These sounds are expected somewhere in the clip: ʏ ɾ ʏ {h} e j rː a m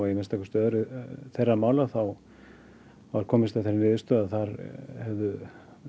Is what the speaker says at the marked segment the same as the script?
no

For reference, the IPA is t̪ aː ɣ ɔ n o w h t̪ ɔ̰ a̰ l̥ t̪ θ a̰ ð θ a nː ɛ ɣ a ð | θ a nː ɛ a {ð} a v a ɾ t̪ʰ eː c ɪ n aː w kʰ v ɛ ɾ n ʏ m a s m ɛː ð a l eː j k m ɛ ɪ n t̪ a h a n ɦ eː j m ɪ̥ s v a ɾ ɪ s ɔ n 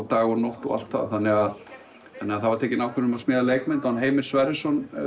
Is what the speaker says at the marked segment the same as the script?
no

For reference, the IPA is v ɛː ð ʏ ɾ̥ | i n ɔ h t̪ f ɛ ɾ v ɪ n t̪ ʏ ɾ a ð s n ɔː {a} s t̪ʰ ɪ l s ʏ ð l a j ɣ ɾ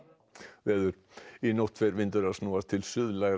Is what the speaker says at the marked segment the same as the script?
yes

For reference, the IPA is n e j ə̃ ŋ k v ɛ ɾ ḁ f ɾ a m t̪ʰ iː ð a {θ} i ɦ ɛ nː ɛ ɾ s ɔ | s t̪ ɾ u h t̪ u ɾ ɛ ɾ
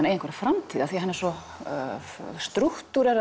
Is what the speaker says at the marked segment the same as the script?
yes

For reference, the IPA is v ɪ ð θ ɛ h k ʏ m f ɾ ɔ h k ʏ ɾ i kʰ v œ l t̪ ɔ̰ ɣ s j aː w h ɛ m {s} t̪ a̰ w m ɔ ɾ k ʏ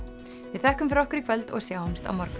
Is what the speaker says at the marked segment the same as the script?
yes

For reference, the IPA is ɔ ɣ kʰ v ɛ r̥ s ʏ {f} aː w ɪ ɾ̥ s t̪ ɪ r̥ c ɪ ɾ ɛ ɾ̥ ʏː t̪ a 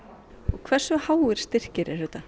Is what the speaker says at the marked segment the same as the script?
no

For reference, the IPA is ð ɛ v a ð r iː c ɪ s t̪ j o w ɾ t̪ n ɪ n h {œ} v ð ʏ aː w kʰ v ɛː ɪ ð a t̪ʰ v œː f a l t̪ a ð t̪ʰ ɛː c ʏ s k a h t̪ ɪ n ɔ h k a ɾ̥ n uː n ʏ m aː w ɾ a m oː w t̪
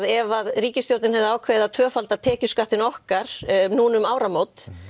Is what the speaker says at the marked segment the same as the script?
no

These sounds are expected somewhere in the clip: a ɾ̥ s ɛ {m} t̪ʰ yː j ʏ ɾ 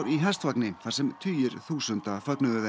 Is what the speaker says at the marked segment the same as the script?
yes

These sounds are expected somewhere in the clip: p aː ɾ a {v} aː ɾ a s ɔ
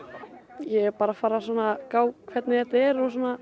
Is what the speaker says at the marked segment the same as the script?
no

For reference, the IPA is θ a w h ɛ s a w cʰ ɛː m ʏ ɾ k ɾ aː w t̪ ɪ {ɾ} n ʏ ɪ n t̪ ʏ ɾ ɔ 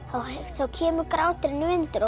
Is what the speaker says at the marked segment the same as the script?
yes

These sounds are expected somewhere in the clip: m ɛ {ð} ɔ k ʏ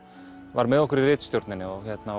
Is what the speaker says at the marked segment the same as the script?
yes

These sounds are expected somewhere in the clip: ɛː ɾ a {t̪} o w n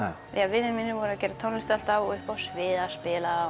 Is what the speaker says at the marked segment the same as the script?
no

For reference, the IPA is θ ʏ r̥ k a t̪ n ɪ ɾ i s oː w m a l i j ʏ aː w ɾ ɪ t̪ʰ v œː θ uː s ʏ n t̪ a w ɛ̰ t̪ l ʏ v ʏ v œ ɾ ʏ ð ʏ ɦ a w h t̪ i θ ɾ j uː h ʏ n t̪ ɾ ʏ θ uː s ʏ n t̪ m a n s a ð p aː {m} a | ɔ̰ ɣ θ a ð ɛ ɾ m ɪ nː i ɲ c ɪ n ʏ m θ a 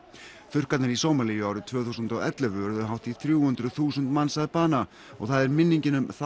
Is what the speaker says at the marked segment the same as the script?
no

